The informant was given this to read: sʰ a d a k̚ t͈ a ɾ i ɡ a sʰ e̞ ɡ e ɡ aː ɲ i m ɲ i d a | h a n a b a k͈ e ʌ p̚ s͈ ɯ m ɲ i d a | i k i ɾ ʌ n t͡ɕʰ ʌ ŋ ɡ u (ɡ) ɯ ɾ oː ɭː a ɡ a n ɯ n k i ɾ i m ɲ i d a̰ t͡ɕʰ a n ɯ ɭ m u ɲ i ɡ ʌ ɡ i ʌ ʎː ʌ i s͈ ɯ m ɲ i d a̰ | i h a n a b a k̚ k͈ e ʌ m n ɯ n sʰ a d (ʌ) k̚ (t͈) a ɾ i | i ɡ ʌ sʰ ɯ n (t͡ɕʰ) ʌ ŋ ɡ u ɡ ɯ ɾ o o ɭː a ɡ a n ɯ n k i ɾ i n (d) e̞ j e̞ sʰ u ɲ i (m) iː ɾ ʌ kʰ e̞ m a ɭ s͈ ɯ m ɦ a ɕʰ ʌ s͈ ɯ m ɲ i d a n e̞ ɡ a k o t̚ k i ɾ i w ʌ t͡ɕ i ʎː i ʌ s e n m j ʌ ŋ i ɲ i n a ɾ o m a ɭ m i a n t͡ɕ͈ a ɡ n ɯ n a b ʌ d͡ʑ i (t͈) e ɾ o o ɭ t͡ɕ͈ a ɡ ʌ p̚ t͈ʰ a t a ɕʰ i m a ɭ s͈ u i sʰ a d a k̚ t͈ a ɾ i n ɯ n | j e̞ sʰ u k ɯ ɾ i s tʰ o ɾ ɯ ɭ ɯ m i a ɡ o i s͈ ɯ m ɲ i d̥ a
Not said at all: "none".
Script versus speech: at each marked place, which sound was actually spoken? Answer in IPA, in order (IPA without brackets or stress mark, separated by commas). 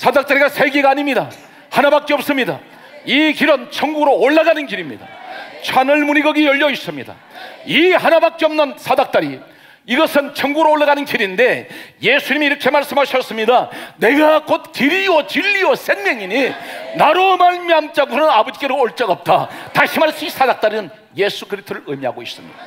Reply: ɡ, a, t͈, t͡ɕʰ, d, m, k͈